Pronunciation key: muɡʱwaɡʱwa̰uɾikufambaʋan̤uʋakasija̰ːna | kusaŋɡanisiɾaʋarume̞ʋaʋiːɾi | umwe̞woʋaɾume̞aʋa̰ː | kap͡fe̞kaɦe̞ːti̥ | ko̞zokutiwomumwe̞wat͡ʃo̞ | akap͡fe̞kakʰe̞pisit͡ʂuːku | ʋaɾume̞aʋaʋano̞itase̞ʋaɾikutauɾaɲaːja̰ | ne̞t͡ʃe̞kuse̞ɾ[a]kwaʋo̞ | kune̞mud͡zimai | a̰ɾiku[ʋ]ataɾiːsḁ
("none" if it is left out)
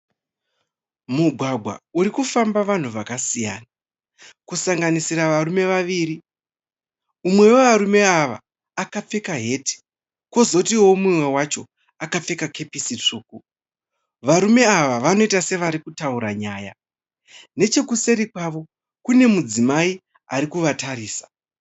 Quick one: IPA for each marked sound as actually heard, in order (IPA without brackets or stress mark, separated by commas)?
i, ʋ